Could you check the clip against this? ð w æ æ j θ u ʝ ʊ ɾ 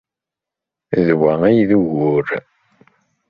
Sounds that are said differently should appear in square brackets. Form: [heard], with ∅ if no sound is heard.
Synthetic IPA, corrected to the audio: ð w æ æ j [ð] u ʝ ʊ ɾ